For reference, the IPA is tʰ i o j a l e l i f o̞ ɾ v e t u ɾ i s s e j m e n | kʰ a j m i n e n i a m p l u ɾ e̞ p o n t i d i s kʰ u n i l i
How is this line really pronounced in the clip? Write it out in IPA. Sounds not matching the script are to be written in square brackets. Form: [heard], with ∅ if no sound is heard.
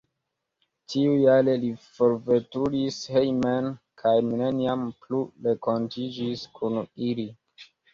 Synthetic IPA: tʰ i [u] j a l e l i f o̞ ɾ v e t u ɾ i s [h] e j m e n | kʰ a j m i n e n i a m p l u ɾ e̞ [k] o n t i [d͡ʒ] i s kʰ u n i l i